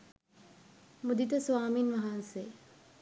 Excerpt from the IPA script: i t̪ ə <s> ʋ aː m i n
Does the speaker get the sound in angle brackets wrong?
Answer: no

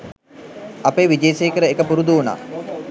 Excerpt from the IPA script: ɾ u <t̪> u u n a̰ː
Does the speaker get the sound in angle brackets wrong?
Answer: yes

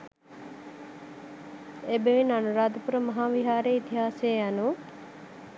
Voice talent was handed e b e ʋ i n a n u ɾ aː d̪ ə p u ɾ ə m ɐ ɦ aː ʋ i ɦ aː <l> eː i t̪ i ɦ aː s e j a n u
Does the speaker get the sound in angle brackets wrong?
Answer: yes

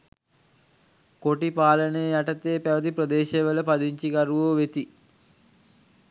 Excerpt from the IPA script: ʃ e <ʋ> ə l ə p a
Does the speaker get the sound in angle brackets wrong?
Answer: no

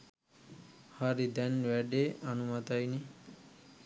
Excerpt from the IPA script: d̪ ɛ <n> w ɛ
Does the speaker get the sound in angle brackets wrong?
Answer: no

